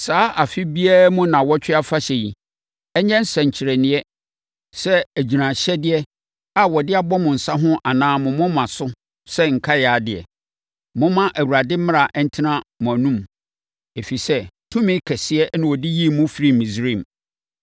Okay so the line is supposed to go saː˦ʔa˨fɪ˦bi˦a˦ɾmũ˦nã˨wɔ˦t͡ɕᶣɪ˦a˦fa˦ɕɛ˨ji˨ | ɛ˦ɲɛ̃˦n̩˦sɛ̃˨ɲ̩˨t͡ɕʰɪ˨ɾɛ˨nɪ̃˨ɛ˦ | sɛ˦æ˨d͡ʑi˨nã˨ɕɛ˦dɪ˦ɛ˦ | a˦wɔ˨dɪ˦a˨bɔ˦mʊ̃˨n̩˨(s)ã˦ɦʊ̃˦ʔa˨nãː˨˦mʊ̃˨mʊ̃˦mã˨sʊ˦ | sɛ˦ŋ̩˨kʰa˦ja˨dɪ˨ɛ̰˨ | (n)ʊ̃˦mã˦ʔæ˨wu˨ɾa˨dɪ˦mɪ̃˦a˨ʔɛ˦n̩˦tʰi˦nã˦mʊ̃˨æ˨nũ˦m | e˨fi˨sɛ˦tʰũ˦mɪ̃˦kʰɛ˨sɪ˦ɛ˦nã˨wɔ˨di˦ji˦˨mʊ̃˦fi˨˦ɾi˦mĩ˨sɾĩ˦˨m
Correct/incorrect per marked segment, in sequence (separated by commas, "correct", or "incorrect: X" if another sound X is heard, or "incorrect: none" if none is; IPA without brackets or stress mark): correct, incorrect: m